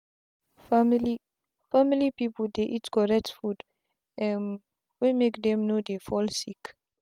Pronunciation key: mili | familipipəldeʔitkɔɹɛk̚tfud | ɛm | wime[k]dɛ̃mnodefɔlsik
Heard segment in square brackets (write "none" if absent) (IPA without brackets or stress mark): k